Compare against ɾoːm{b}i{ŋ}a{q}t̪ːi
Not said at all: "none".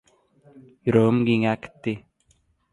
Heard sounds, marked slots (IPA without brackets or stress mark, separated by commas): ɡ, ŋ, k